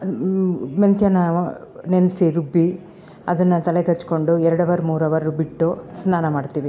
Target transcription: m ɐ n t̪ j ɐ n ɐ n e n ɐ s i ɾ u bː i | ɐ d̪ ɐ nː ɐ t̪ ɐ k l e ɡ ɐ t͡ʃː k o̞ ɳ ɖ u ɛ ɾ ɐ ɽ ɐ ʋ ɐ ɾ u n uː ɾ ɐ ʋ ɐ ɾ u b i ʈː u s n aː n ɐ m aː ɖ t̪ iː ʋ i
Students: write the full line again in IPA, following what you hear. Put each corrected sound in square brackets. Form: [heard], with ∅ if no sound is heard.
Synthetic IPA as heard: m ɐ n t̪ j ɐ n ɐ n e n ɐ s i ɾ u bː i | ɐ d̪ ɐ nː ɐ t̪ ɐ [∅] l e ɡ ɐ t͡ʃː k o̞ ɳ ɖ u ɛ ɾ ɐ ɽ ɐ ʋ ɐ ɾ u [m] uː ɾ ɐ ʋ ɐ ɾ u b i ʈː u s n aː n ɐ m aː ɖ t̪ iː ʋ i